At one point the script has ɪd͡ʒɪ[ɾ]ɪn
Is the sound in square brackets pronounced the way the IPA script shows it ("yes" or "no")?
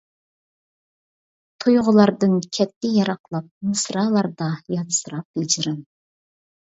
yes